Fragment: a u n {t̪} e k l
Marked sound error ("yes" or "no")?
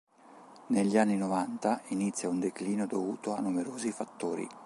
yes